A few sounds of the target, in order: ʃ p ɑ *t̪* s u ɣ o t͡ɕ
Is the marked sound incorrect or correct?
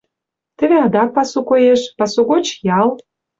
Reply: incorrect: none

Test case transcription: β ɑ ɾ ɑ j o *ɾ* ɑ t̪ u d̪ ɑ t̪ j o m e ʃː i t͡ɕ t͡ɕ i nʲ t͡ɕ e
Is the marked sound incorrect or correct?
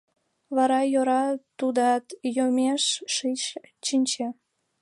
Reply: correct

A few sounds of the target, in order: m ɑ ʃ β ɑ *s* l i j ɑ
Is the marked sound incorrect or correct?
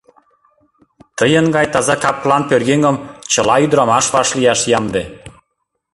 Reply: incorrect: ʃ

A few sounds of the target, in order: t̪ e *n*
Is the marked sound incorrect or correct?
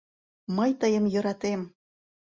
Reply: incorrect: m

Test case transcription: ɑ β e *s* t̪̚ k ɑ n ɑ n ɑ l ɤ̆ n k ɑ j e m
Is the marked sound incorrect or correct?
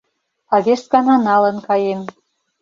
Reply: incorrect: ʃ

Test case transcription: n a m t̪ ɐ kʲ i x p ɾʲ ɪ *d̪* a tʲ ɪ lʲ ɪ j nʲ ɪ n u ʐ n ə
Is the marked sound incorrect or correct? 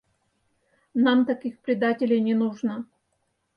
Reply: correct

